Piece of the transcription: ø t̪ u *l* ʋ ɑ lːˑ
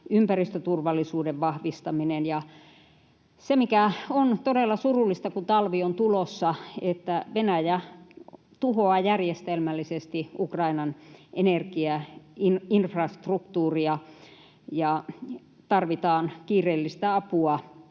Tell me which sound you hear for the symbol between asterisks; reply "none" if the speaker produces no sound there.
r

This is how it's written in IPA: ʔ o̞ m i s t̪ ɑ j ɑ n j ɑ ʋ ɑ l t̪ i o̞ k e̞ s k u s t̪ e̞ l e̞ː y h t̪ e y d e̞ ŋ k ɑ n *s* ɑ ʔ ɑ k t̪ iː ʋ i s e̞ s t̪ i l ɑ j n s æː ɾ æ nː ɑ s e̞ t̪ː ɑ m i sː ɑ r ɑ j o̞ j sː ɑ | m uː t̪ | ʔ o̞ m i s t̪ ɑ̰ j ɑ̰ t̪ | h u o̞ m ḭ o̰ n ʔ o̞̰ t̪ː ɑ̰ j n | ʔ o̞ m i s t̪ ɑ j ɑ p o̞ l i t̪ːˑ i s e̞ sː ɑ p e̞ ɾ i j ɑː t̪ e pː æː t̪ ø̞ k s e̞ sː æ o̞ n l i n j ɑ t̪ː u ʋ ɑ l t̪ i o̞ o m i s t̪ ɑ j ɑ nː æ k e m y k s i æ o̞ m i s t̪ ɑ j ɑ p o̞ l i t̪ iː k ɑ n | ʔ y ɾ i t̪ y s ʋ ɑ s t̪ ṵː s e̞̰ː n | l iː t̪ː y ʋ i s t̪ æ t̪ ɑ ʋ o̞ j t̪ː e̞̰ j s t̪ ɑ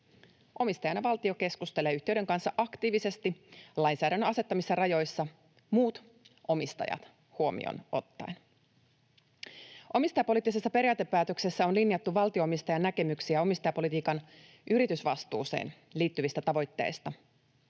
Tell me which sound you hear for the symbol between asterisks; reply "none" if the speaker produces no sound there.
sː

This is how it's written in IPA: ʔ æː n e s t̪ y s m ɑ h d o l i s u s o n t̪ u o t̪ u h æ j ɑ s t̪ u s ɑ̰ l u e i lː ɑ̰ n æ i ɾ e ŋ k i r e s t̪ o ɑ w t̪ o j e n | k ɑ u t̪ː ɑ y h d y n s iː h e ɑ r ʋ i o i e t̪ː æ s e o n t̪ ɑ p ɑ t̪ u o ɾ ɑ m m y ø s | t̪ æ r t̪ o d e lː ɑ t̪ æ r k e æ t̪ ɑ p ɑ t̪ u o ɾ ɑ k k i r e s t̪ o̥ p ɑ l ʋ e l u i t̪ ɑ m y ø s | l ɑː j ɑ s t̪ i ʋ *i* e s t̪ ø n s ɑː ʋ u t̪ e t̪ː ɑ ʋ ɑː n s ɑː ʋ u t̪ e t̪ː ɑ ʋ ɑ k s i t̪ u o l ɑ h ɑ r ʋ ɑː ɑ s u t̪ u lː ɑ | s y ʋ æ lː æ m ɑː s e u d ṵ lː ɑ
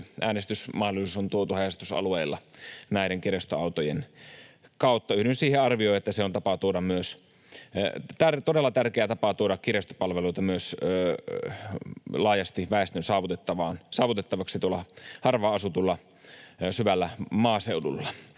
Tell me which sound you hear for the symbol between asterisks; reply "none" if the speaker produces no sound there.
æ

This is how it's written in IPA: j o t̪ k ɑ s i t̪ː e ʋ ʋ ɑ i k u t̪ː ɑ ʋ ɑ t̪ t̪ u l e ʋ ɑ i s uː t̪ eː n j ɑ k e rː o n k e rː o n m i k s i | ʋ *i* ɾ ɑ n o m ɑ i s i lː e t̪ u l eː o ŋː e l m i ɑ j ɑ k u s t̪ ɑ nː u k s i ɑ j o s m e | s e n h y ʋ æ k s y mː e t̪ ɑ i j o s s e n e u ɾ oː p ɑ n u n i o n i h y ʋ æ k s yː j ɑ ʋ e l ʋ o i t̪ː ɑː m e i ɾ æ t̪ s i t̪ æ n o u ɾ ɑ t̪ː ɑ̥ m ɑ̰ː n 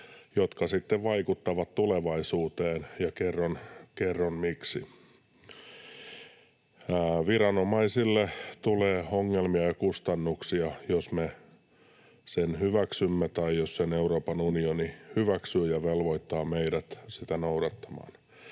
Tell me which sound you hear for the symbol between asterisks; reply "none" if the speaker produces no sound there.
i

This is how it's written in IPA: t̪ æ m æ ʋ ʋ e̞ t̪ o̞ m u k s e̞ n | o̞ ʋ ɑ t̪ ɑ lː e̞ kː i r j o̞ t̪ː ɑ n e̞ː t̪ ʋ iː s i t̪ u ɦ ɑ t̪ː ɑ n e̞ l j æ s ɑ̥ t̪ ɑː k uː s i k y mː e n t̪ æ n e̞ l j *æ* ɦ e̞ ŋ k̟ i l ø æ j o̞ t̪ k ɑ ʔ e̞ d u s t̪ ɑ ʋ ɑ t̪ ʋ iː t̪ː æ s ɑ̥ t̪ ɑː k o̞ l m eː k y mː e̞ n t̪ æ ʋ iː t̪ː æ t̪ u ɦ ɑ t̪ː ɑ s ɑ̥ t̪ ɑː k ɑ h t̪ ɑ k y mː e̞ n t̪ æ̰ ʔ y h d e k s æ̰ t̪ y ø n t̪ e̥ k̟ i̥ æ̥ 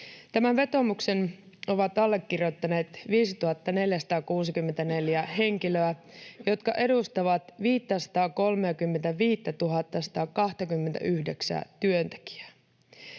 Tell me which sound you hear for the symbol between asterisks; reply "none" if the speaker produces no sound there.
æ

